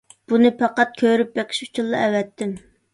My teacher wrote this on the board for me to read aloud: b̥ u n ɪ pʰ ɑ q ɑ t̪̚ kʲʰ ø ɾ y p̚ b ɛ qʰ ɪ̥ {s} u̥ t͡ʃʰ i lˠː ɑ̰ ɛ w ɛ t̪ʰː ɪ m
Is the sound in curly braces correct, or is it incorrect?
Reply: incorrect